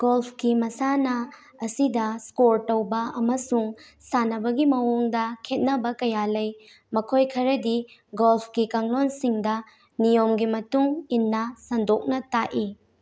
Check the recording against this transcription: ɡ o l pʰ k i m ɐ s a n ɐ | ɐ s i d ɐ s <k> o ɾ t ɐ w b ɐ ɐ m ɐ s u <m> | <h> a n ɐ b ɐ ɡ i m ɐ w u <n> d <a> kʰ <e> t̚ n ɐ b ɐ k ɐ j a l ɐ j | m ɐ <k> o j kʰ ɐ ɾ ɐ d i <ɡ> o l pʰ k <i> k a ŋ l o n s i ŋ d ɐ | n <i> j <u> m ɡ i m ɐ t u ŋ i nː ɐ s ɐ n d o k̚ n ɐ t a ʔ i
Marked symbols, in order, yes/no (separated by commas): yes, no, no, no, no, yes, no, yes, yes, yes, no